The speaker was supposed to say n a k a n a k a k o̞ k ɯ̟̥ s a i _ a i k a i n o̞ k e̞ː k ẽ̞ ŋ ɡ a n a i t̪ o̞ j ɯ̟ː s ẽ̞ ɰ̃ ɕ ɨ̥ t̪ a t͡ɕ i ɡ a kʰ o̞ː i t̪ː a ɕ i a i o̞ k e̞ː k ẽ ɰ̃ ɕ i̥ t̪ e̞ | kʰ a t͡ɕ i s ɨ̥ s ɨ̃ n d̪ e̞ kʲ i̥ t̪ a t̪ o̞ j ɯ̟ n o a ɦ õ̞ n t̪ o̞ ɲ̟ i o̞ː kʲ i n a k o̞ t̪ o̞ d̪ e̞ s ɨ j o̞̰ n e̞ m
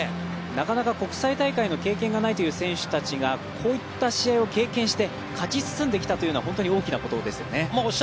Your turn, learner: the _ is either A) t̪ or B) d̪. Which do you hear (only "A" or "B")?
A